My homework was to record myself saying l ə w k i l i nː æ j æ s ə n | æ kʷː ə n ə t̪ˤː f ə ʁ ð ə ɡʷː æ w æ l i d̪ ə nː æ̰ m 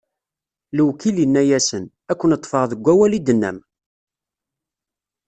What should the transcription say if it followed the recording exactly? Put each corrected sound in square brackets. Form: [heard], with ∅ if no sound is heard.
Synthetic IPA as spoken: l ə w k i l i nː æ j æ s ə n | æ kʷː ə n ə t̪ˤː f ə ʁ ð ə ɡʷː æ w æ l i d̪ ə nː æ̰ m